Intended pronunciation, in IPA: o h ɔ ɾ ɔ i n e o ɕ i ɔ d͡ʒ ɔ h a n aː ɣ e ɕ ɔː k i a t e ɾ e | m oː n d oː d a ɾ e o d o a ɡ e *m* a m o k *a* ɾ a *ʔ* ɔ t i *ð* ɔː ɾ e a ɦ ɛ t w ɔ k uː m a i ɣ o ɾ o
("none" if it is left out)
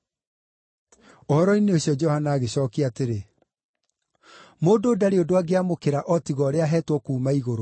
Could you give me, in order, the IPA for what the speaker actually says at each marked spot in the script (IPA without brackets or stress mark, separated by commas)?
none, e, ʔ, ɣ